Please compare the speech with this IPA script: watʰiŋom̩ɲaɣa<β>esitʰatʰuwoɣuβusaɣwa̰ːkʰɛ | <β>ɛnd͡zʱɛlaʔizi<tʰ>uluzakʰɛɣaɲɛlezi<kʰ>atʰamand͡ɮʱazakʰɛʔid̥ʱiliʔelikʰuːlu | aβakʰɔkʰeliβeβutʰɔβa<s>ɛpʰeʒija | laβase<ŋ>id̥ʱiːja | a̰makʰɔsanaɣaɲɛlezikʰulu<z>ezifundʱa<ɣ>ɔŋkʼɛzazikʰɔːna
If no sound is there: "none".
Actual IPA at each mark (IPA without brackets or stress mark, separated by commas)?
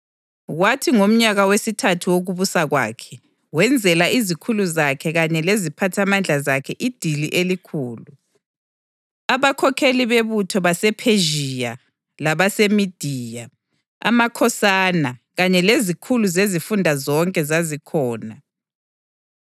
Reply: w, w, kʰ, pʰ, s, m, z, z